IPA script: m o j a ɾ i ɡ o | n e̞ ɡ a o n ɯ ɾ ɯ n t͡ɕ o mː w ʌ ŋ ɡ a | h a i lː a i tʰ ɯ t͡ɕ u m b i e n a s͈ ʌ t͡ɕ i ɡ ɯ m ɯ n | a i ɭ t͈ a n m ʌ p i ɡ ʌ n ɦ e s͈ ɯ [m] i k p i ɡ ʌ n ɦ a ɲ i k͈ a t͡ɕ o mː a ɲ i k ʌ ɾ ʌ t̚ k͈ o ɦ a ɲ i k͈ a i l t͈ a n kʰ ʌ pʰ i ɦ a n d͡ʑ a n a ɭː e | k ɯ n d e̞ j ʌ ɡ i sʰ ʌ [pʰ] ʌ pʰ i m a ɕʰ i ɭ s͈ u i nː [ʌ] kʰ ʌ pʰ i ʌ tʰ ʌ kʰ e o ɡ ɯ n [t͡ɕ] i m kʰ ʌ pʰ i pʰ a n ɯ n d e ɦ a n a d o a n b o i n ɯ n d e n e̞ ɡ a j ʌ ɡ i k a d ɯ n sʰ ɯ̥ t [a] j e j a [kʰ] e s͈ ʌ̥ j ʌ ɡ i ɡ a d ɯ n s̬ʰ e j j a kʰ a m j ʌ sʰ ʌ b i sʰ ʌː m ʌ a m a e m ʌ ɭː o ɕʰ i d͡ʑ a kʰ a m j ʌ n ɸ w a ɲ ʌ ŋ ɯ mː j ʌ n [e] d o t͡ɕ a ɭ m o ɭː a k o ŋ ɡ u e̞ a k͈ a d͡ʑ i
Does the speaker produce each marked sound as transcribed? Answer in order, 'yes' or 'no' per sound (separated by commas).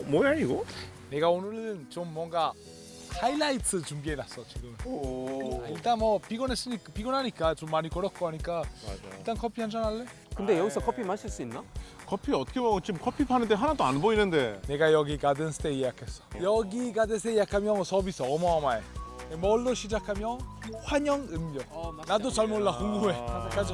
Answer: no, no, no, yes, no, yes, no